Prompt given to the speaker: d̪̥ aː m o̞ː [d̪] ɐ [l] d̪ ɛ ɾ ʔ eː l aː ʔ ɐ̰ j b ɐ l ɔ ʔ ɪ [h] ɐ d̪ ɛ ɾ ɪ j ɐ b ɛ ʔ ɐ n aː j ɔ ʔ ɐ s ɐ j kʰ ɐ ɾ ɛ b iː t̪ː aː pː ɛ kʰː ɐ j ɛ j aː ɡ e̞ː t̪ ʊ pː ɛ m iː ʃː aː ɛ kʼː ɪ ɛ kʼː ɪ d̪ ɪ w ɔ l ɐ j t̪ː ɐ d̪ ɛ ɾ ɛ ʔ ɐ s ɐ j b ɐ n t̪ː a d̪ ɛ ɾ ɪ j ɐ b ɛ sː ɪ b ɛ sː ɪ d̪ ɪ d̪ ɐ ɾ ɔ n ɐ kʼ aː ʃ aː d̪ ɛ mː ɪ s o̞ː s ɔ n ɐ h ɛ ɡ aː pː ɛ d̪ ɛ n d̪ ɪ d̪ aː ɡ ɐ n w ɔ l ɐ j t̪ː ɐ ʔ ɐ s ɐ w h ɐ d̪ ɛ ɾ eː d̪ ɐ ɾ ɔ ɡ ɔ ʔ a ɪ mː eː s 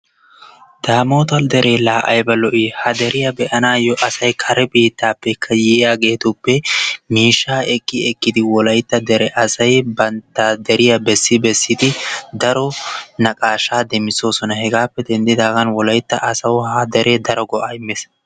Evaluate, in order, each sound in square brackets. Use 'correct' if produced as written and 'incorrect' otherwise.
incorrect, correct, correct

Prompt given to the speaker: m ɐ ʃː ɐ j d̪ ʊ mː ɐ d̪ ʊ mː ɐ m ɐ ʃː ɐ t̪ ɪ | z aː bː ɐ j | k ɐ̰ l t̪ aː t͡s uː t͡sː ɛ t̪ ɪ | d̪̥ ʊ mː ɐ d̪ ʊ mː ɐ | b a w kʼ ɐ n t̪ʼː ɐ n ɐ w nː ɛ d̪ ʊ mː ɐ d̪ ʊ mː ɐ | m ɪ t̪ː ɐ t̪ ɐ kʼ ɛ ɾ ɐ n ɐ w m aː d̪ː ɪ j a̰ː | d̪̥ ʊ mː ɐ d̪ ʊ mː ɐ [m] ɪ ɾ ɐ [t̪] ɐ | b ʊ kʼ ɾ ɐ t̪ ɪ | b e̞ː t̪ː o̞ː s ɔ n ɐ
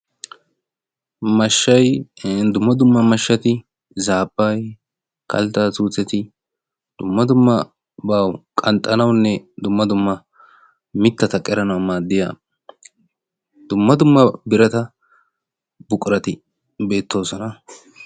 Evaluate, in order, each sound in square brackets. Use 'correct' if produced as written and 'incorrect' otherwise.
incorrect, correct

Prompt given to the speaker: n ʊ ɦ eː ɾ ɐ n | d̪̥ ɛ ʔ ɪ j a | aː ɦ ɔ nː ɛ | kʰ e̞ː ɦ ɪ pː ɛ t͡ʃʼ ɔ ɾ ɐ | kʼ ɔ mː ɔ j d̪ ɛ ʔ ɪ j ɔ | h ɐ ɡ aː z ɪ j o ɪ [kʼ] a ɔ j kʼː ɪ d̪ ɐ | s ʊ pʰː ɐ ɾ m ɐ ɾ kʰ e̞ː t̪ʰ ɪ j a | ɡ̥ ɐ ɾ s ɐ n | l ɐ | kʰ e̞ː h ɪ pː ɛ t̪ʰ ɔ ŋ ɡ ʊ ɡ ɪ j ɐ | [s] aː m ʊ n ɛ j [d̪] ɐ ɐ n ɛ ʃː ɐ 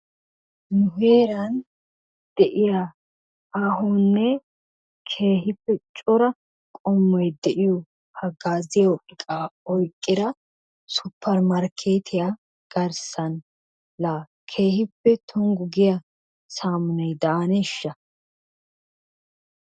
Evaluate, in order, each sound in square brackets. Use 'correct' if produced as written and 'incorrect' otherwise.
correct, correct, correct

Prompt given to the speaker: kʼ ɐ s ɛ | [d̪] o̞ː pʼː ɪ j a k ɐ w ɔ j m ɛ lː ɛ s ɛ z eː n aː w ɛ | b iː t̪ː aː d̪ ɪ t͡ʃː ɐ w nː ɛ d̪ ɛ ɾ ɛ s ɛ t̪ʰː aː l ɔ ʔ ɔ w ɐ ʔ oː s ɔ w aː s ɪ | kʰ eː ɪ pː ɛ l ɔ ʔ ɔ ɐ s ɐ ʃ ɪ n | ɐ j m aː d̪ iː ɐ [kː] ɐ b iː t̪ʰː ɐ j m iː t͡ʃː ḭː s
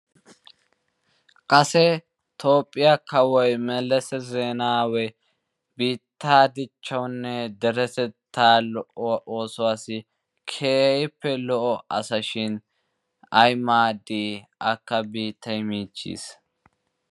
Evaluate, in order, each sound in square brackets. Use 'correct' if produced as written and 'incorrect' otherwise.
incorrect, correct

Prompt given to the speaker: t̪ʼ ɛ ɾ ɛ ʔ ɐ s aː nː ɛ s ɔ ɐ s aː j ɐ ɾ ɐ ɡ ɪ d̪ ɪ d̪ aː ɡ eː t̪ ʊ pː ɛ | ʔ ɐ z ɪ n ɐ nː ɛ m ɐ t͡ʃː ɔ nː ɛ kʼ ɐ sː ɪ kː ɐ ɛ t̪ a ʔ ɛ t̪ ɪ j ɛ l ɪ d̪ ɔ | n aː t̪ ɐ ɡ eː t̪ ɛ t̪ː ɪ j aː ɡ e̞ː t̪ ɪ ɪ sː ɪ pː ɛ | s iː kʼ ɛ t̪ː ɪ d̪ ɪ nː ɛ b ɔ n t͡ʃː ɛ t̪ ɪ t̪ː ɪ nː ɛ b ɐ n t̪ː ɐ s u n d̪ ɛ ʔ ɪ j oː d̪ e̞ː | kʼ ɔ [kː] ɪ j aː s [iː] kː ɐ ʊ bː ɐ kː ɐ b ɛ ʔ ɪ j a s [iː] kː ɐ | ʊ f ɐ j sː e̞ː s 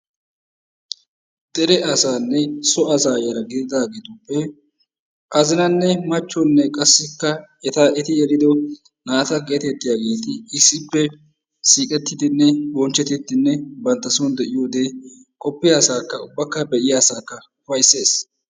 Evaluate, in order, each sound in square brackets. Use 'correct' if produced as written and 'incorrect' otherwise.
incorrect, incorrect, incorrect

